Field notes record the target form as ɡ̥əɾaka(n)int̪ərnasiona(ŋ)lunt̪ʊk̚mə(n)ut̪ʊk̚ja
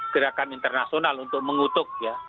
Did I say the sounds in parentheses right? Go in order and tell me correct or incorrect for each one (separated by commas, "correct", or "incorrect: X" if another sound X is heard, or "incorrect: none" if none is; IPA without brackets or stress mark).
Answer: correct, incorrect: none, incorrect: ŋ